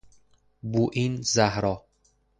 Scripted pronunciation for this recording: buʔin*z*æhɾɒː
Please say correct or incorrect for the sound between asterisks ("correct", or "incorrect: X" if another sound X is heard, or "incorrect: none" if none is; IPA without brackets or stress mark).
correct